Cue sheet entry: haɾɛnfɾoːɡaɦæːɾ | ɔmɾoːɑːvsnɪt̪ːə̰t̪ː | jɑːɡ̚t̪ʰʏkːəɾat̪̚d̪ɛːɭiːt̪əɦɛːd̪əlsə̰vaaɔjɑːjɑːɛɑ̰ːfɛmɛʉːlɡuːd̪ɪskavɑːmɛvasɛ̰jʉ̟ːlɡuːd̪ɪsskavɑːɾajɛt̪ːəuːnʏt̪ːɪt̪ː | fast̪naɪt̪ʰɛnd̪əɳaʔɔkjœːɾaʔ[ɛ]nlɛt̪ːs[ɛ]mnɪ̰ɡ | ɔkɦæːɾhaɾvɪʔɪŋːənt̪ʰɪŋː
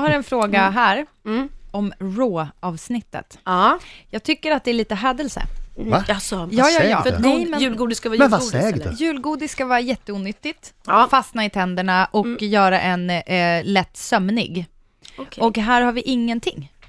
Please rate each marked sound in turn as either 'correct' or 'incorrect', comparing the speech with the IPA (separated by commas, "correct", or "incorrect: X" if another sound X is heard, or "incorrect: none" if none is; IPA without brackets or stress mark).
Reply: correct, incorrect: œ